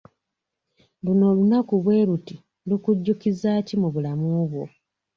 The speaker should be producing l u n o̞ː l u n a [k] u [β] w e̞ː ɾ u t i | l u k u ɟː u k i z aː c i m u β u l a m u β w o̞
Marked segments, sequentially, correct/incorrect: correct, correct

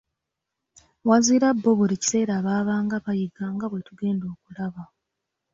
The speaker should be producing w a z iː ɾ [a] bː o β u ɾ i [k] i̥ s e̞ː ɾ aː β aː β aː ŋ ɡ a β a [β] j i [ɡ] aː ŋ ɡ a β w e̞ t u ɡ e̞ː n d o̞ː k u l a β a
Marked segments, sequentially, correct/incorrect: correct, incorrect, incorrect, correct

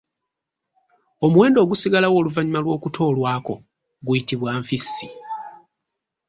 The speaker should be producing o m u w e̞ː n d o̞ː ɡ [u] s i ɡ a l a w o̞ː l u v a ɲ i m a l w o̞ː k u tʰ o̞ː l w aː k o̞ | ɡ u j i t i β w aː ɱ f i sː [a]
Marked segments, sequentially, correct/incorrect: correct, incorrect

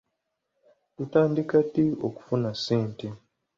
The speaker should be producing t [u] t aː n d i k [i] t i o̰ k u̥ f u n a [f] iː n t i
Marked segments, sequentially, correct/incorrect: correct, incorrect, incorrect

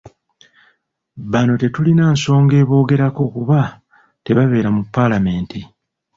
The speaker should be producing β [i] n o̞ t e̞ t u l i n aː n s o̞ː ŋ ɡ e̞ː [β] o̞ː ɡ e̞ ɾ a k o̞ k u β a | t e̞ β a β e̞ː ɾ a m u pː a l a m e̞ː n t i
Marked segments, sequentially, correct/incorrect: incorrect, correct

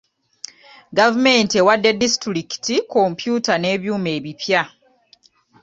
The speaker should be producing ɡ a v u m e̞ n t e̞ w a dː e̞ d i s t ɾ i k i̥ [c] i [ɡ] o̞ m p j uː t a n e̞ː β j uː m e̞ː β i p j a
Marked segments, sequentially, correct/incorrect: incorrect, incorrect

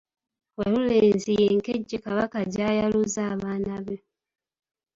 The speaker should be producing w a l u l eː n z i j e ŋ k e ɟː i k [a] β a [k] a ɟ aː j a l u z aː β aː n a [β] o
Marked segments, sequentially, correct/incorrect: correct, correct, correct

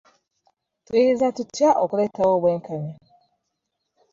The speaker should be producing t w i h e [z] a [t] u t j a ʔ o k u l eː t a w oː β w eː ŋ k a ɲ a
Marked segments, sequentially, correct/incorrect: correct, correct

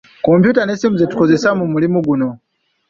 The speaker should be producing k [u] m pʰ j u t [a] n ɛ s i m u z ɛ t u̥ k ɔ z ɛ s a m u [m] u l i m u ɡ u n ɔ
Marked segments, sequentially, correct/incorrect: incorrect, correct, correct

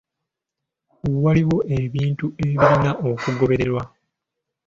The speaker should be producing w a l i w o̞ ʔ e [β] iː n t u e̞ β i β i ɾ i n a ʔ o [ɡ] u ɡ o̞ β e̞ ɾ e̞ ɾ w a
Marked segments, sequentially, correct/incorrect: correct, incorrect

